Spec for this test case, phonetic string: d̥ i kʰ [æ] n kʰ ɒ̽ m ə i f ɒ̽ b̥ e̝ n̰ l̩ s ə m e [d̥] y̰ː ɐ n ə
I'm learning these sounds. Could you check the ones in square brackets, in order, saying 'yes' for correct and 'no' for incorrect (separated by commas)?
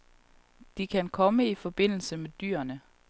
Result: yes, yes